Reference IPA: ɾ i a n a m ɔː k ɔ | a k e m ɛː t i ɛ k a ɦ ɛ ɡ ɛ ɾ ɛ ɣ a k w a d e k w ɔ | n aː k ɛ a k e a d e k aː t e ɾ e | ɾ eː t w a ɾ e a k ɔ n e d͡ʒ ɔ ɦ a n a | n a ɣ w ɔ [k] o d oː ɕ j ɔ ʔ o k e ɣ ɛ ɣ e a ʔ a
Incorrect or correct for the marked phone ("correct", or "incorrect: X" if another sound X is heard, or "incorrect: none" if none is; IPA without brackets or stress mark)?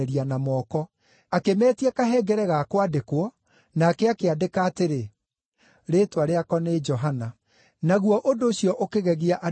incorrect: ʔ